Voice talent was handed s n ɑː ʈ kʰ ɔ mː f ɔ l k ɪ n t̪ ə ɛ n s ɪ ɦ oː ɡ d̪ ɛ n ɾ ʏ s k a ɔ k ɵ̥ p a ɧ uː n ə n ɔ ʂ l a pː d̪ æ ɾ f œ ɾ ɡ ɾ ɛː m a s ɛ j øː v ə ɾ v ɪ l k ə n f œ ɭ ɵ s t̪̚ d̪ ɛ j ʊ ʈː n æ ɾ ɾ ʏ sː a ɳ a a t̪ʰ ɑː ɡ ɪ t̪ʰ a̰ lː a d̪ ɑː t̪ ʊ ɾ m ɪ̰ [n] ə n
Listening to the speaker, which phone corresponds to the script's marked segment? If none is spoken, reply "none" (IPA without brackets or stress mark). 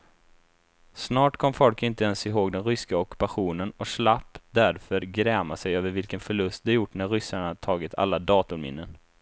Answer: nː